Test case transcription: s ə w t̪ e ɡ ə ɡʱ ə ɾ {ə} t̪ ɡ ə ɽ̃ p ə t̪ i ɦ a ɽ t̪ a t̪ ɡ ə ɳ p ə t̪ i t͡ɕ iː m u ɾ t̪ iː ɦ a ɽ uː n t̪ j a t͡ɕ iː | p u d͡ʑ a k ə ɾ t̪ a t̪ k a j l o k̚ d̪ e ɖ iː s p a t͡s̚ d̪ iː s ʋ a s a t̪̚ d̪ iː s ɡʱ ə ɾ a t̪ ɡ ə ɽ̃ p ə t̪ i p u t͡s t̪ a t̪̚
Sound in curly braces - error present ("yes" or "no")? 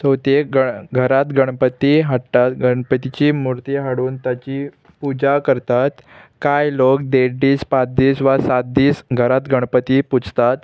yes